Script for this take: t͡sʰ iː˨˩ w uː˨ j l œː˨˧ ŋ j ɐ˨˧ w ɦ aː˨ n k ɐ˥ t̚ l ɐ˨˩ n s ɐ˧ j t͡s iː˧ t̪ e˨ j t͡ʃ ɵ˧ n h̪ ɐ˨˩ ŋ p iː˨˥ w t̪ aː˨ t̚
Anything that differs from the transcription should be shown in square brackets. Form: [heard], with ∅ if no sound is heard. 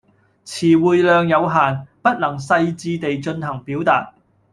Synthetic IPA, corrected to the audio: t͡sʰ iː˨˩ w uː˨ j l œː˨˧ ŋ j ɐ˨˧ w ɦ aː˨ n [p] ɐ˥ t̚ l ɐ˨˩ [ŋ] s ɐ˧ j t͡s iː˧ t̪ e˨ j t͡ʃ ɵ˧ n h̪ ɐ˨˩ ŋ p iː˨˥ w t̪ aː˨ t̚